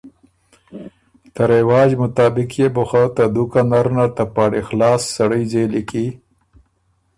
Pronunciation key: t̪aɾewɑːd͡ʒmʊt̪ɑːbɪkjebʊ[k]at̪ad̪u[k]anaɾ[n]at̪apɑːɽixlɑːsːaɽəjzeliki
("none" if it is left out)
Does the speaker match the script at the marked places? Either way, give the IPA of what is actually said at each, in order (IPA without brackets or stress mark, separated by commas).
x, k, n